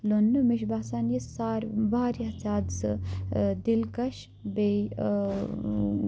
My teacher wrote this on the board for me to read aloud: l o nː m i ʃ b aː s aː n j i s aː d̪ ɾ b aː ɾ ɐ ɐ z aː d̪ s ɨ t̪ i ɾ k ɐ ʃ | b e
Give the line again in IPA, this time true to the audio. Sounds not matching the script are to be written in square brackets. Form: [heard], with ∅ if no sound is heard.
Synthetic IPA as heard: l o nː m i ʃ b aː s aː n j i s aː [∅] ɾ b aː ɾ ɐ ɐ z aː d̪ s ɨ [d̪] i [l] k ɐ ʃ | b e